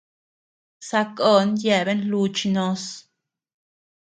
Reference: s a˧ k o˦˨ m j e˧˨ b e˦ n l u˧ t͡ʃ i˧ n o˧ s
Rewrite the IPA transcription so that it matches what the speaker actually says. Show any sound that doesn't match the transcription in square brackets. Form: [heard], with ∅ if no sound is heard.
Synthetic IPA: s a˧ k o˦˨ [n] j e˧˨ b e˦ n l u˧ t͡ʃ i˧ n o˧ s